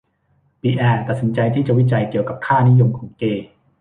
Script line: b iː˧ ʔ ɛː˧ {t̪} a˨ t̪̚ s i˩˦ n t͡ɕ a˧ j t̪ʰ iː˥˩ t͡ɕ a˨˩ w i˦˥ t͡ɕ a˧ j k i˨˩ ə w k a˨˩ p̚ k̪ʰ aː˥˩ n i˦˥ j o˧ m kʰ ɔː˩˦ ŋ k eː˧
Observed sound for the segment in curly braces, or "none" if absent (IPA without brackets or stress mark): t̪